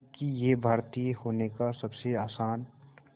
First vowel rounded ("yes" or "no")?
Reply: no